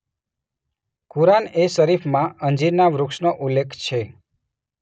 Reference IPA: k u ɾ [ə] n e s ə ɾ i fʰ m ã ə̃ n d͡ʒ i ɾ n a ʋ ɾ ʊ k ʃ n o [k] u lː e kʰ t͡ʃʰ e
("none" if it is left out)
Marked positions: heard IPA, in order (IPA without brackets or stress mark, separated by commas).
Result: a, ʔ